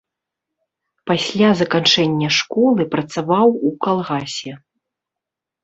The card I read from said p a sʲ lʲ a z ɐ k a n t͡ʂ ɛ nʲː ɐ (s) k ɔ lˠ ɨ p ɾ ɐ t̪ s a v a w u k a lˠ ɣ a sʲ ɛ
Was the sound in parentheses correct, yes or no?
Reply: no